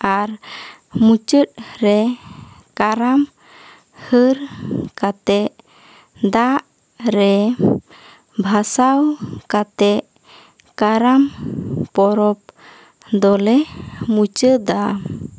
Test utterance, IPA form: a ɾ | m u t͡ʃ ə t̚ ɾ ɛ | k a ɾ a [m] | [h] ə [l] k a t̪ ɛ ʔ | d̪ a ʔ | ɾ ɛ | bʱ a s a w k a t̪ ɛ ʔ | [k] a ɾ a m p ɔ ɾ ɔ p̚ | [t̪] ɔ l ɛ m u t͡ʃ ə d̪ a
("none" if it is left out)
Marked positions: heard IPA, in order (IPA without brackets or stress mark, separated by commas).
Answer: m, h, ɾ, k, d̪